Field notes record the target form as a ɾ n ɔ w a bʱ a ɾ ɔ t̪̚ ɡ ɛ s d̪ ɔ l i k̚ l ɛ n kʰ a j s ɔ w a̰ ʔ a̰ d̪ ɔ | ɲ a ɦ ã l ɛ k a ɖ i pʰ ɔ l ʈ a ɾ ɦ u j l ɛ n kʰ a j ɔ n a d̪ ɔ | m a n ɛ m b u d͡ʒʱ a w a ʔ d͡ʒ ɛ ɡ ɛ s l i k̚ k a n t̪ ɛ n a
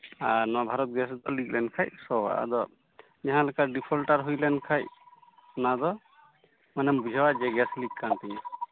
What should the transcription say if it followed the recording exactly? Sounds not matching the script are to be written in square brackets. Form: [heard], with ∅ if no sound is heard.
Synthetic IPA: a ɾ n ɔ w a bʱ a ɾ ɔ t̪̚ ɡ ɛ s d̪ ɔ l i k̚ l ɛ n kʰ a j s ɔ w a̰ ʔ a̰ d̪ ɔ | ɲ a ɦ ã l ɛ k a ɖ i pʰ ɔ l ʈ a ɾ ɦ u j l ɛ n kʰ a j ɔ n a d̪ ɔ | m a n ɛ m b u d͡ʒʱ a w a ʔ d͡ʒ ɛ ɡ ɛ s l i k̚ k a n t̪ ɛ [ɲ] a

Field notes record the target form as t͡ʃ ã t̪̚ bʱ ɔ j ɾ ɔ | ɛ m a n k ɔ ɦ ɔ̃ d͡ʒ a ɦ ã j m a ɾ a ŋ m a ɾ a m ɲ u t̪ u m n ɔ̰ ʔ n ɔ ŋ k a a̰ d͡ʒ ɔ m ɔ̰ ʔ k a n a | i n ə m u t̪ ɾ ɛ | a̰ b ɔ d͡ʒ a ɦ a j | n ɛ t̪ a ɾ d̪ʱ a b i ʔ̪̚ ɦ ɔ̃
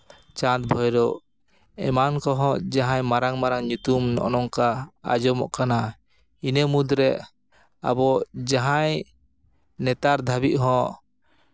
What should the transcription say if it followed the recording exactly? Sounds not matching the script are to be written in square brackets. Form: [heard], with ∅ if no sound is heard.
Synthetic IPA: t͡ʃ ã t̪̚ bʱ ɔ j ɾ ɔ | ɛ m a n k ɔ ɦ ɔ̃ d͡ʒ a ɦ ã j m a ɾ a ŋ m a ɾ a [ŋ] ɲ u t̪ u m n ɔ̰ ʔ n ɔ ŋ k a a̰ d͡ʒ ɔ m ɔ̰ ʔ k a n a | i n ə m u [d̪] ɾ ɛ | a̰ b ɔ d͡ʒ a ɦ a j | n ɛ t̪ a ɾ d̪ʱ a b i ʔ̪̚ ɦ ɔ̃

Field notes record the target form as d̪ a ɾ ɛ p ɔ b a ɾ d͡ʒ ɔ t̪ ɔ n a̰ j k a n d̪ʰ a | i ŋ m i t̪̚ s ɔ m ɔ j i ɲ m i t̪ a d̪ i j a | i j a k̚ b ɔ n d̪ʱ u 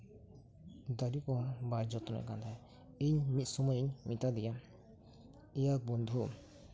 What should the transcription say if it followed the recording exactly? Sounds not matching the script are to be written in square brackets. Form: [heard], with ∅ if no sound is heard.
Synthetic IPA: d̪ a ɾ [i] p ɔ b a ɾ d͡ʒ ɔ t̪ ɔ n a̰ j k a n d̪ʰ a | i [ɲ] m i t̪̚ s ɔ m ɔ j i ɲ m i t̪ a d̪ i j a | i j a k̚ b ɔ n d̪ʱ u

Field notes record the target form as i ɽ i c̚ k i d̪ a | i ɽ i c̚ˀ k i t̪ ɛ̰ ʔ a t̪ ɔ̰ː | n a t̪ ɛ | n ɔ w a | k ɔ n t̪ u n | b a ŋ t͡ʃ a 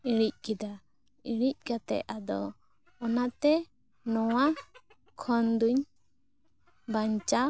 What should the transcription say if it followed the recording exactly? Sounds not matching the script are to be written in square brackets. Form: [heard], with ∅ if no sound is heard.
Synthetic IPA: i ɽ i c̚ k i d̪ a | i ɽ i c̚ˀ k [a] t̪ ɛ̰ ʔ a [d̪] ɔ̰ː | n a t̪ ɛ | n ɔ w a | [kʰ] ɔ n [d̪] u [ɲ] | b a [ɲ] t͡ʃ a

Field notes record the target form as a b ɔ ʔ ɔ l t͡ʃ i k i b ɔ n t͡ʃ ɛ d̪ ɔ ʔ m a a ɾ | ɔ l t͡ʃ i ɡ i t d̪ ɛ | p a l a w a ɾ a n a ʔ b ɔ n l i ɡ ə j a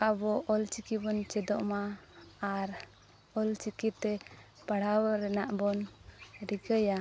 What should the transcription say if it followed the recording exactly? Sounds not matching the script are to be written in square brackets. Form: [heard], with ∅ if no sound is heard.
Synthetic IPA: a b ɔ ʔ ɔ l t͡ʃ i k i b ɔ n t͡ʃ ɛ d̪ ɔ ʔ m a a ɾ | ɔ l t͡ʃ i [k] i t [t̪] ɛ | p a [ɽ] a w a ɾ [ɛ] n a ʔ b ɔ n [ɾ] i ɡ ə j a

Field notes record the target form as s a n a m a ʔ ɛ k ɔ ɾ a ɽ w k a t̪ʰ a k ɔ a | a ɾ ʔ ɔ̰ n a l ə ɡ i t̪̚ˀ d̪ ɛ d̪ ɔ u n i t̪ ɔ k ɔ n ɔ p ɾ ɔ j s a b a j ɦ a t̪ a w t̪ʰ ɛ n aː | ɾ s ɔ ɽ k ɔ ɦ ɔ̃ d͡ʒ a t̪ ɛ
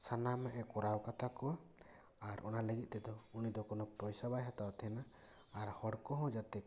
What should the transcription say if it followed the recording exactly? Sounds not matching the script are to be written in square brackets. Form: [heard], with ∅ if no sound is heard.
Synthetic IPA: s a n a m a ʔ ɛ k ɔ ɾ a [∅] w k a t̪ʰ a k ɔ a | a ɾ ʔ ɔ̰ n a l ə ɡ i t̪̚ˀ [t̪] ɛ d̪ ɔ u n i [d̪] ɔ k ɔ n ɔ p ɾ ɔ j s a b a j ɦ a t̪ a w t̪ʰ ɛ n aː | ɾ [h] ɔ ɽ k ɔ ɦ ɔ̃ d͡ʒ a t̪ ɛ

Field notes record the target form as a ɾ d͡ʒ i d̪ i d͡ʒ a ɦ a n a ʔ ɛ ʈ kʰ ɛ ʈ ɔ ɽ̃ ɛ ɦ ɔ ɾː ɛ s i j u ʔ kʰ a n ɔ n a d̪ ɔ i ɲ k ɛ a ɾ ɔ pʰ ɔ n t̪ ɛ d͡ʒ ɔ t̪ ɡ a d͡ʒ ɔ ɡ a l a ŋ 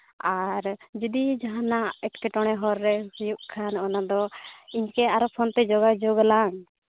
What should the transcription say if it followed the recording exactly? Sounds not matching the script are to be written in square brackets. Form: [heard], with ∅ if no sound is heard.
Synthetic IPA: a ɾ d͡ʒ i d̪ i d͡ʒ a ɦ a n a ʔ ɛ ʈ [k] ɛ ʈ ɔ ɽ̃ ɛ ɦ ɔ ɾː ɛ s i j u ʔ kʰ a n ɔ n a d̪ ɔ i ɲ k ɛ a ɾ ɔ pʰ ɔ n t̪ ɛ d͡ʒ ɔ [∅] ɡ a d͡ʒ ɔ ɡ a l a ŋ

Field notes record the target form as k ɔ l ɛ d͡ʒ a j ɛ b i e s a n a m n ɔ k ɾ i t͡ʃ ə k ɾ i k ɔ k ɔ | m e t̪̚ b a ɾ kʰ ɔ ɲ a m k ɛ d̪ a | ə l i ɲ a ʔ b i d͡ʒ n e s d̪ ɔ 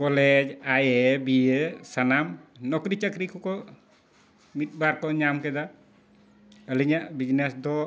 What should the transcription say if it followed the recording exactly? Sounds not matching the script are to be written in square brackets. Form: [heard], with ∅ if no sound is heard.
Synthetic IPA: k ɔ l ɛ d͡ʒ a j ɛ b i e s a n a m n ɔ k ɾ i t͡ʃ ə k ɾ i k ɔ k ɔ | m [i] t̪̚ b a ɾ [k] ɔ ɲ a m k ɛ d̪ a | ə l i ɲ a ʔ b i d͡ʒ n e s d̪ ɔ

